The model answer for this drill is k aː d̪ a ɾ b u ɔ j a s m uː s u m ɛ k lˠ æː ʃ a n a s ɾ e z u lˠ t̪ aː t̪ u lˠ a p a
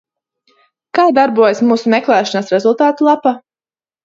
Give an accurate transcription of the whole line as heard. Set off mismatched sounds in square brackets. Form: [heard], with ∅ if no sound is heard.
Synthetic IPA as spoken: k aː d̪ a ɾ b u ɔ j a s m uː s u m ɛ k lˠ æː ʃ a n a s ɾ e z u lˠ t̪ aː t̪ u lˠ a p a